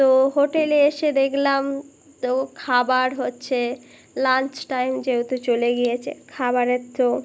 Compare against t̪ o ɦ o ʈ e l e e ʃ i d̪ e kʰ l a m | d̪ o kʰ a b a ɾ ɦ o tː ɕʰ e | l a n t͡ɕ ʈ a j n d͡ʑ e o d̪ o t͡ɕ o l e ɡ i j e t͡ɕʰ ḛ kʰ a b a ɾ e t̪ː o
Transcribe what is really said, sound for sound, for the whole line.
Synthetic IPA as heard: t̪ o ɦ o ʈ e l e e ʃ e d̪ e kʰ l a m | t̪ o kʰ a b a ɾ ɦ o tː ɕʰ e | l a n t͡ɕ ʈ a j m d͡ʑ e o t̪ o t͡ɕ o l e ɡ i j e t͡ɕʰ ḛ kʰ a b a ɾ e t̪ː o

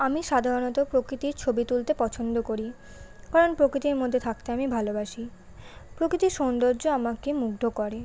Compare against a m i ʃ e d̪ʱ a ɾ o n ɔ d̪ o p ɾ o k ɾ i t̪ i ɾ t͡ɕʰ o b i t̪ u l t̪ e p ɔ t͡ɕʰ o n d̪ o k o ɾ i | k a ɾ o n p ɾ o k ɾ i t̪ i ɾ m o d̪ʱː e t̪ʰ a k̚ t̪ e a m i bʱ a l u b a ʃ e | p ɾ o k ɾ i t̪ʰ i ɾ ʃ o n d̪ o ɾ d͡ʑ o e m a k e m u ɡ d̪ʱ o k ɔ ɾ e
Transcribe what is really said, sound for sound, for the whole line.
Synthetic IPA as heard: a m i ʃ a d̪ʱ a ɾ o n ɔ t̪ o p ɾ o k ɾ i t̪ i ɾ t͡ɕʰ o b i t̪ u l t̪ e p ɔ t͡ɕʰ o n d̪ o k o ɾ i | k a ɾ o n p ɾ o k ɾ i t̪ i ɾ m o d̪ʱː e t̪ʰ a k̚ t̪ e a m i bʱ a l o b a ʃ i | p ɾ o k ɾ i t̪ i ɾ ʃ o n d̪ o ɾ d͡ʑ o a m a k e m u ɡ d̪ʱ o k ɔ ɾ e

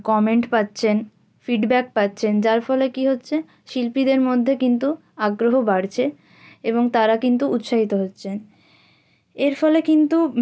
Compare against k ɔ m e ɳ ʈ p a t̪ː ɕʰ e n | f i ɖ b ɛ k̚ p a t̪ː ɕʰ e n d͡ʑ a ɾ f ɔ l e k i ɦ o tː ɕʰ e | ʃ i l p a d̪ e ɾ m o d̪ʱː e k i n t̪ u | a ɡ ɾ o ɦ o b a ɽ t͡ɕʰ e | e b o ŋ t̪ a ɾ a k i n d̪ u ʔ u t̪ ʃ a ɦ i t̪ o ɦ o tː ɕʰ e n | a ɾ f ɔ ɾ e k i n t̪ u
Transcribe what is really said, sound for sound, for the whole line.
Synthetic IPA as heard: k ɔ m e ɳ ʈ p a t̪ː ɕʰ e n | f i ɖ b ɛ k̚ p a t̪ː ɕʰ e n d͡ʑ a ɾ f ɔ l e k i ɦ o tː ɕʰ e | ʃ i l p i d̪ e ɾ m o d̪ʱː e k i n t̪ u | a ɡ ɾ o ɦ o b a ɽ t͡ɕʰ e | e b o ŋ t̪ a ɾ a k i n t̪ u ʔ u t̪ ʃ a ɦ i t̪ o ɦ o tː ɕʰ e n | e ɾ f ɔ l e k i n t̪ u

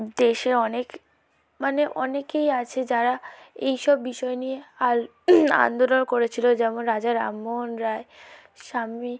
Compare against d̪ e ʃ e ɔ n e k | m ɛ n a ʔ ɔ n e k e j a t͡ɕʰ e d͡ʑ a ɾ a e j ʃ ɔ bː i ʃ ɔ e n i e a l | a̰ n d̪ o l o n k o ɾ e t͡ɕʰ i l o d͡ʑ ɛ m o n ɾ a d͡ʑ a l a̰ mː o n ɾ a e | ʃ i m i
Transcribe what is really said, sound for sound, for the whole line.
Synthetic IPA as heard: d̪ e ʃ e ɔ n e k | m a n e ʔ ɔ n e k e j a t͡ɕʰ e d͡ʑ a ɾ a e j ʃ ɔ bː i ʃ ɔ e n i e a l | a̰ n d̪ o l o n k o ɾ e t͡ɕʰ i l o d͡ʑ ɛ m o n ɾ a d͡ʑ a ɾ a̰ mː o n ɾ a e | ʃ a m i

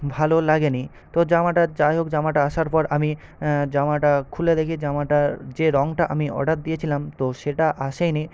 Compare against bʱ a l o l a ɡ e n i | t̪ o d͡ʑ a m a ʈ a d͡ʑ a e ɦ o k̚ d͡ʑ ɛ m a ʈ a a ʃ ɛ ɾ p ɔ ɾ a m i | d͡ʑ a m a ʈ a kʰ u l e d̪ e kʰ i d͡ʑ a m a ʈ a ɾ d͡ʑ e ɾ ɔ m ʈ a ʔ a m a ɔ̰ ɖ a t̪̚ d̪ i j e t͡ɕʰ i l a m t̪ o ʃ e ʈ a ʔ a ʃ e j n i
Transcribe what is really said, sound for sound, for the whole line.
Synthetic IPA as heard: bʱ a l o l a ɡ e n i | t̪ o d͡ʑ a m a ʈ a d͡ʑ a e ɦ o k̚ d͡ʑ a m a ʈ a a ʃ a ɾ p ɔ ɾ a m i | d͡ʑ a m a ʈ a kʰ u l e d̪ e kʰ i d͡ʑ a m a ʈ a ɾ d͡ʑ e ɾ ɔ ŋ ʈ a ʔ a m i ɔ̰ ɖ a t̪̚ d̪ i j e t͡ɕʰ i l a m t̪ o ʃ e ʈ a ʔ a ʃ e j n i

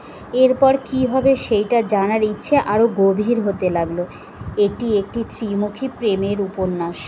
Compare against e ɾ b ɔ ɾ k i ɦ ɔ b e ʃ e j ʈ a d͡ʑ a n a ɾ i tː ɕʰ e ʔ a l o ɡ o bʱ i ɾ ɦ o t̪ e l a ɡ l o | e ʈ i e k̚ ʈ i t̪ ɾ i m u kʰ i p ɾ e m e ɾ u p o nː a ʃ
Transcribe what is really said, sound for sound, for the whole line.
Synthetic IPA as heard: e ɾ p ɔ ɾ k i ɦ ɔ b e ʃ e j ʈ a d͡ʑ a n a ɾ i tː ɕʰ e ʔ a ɾ o ɡ o bʱ i ɾ ɦ o t̪ e l a ɡ l o | e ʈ i e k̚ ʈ i t̪ ɾ i m u kʰ i p ɾ e m e ɾ u p o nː a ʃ

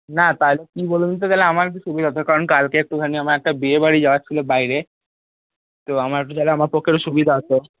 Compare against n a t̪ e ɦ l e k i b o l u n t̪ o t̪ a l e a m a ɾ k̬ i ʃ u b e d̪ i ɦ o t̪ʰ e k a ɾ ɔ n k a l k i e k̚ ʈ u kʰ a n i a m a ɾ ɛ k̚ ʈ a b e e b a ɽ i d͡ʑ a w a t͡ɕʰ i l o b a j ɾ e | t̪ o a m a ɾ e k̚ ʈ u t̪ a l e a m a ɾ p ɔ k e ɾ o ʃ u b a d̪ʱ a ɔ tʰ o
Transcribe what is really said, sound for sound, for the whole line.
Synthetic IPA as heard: n a t̪ a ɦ l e k i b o l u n t̪ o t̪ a l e a m a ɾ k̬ i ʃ u b i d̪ a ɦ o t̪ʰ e k a ɾ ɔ n k a l k e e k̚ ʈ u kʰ a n i a m a ɾ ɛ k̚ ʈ a b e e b a ɽ i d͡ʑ a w a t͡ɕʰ i l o b a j ɾ e | t̪ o a m a ɾ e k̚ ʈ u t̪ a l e a m a ɾ p ɔ k e ɾ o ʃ u b i d̪ʱ a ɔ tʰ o

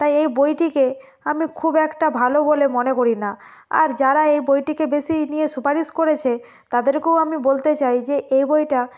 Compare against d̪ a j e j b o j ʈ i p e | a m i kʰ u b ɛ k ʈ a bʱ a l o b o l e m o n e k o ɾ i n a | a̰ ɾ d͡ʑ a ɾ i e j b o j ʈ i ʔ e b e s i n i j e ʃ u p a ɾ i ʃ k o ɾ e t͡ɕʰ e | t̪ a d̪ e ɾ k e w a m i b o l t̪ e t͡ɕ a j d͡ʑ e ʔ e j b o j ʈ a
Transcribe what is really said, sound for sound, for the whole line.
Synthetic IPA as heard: t̪ a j e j b o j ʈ i k e | a m i kʰ u b ɛ k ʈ a bʱ a l o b o l e m o n e k o ɾ i n a | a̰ ɾ d͡ʑ a ɾ a e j b o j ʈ i k e b e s i n i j e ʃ u p a ɾ i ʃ k o ɾ e t͡ɕʰ e | t̪ a d̪ e ɾ k e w a m i b o l t̪ e t͡ɕ a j d͡ʑ e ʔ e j b o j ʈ a

